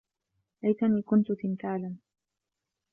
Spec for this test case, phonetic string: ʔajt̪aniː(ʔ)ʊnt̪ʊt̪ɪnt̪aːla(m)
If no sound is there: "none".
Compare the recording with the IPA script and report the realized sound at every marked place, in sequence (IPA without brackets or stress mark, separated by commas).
k, n